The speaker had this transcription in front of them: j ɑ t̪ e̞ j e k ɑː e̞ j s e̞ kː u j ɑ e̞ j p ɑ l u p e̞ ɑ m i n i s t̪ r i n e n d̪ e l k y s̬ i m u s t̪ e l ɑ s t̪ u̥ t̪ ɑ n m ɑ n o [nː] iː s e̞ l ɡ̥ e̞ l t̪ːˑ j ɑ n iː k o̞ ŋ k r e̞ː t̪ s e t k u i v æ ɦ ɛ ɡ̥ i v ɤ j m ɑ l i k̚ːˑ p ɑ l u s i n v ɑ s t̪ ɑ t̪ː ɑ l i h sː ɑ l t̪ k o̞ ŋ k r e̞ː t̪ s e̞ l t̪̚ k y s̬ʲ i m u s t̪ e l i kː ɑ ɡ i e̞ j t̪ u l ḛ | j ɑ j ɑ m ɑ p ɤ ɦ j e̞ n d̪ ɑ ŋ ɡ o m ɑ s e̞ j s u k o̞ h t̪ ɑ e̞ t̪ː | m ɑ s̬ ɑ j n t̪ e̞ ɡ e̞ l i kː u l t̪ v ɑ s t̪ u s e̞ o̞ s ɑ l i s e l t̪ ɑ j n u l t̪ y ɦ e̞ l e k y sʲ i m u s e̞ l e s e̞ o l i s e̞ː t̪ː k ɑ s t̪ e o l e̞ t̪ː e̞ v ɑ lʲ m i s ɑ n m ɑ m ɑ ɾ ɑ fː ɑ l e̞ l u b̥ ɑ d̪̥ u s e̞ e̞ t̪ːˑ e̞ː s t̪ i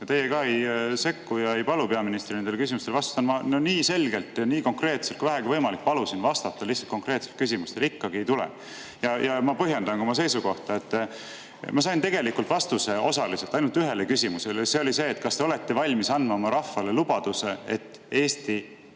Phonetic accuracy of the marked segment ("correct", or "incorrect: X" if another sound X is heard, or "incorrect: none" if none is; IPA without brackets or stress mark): incorrect: n